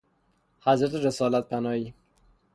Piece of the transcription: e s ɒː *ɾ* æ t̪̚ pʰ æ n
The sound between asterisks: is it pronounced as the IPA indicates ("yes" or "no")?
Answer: no